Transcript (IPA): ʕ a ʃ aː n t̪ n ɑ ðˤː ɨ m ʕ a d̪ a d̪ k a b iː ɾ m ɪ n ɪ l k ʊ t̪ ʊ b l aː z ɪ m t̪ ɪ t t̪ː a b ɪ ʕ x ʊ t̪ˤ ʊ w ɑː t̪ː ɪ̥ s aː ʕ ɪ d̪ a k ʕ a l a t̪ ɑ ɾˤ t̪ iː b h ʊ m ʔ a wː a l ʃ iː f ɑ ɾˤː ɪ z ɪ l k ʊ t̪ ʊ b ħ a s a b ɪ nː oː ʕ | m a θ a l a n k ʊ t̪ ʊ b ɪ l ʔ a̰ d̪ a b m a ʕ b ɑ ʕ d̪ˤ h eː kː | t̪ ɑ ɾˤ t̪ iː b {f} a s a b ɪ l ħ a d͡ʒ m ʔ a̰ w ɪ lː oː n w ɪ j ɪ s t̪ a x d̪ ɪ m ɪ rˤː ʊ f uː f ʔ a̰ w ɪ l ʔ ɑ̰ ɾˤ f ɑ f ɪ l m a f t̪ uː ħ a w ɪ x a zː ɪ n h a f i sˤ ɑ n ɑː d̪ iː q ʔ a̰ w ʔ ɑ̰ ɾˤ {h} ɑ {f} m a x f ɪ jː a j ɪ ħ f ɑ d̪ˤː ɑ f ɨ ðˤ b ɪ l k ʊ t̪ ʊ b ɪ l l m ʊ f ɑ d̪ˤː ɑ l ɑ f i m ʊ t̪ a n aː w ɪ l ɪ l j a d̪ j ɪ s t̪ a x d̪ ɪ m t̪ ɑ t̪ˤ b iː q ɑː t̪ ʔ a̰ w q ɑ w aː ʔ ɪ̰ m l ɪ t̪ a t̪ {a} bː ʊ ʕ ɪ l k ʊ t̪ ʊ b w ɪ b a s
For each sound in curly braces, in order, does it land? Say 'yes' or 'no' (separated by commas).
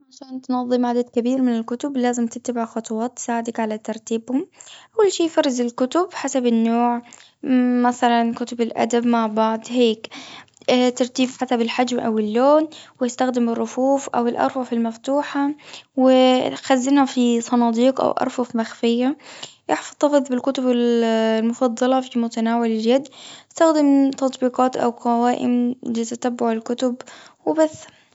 no, no, yes, yes